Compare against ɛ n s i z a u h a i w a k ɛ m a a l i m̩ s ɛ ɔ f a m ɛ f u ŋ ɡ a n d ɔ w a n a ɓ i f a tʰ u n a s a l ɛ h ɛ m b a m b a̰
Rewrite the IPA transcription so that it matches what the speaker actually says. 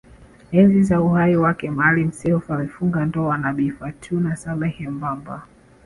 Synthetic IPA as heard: ɛ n z i z a u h a i w a k ɛ m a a l i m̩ s ɛ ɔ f a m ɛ f u ŋ ɡ a n d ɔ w a n a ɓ i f a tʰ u n a s a l ɛ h ɛ m b a m b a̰